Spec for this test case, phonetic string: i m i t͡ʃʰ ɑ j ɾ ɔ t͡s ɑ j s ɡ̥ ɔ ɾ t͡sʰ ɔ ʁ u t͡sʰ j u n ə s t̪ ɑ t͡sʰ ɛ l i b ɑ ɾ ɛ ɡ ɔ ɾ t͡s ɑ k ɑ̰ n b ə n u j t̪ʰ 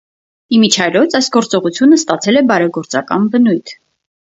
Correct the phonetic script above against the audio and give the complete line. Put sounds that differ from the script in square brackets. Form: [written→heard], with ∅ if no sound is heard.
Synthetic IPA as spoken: i m i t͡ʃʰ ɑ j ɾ ɔ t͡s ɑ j s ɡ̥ ɔ ɾ [t͡sʰ→t͡s] ɔ ʁ u t͡sʰ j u n ə s t̪ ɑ t͡sʰ ɛ l [i→ɛ] b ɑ ɾ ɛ ɡ ɔ ɾ t͡s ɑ k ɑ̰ n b ə n u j t̪ʰ